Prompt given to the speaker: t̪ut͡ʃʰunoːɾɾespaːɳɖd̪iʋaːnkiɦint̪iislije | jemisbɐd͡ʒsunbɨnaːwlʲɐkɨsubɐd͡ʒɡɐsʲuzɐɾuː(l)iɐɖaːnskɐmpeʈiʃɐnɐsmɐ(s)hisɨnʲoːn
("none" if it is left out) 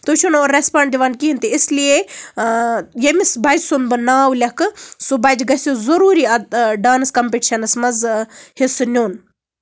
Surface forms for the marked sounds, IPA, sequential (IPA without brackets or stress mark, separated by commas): ɾ, z